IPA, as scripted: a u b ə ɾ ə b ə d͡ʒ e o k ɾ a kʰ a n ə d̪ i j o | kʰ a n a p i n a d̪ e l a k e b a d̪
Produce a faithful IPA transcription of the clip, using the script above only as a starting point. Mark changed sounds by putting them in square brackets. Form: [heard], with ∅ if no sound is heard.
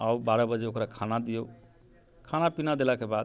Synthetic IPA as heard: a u b [a] ɾ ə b ə d͡ʒ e o k ɾ a kʰ a n [a] d̪ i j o | kʰ a n a p i n a d̪ e l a k e b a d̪